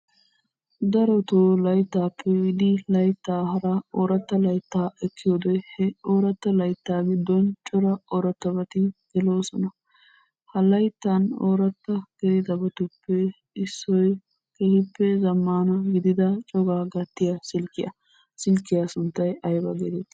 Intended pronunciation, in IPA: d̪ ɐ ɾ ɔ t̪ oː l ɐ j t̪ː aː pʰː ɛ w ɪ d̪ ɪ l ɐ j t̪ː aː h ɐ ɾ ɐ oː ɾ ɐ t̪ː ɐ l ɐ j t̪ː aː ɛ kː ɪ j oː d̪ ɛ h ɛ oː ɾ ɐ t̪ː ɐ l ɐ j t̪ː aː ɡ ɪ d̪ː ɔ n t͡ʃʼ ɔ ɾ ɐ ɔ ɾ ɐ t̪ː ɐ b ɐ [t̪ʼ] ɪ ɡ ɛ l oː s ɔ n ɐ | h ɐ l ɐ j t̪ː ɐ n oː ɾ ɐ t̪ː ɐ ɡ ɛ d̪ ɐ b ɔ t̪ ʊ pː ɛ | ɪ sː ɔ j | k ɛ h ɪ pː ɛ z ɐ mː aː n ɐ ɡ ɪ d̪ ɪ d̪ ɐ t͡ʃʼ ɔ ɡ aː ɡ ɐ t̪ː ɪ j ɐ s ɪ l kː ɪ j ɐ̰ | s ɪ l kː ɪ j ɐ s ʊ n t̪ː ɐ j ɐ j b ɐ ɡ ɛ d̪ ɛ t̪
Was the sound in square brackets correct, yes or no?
no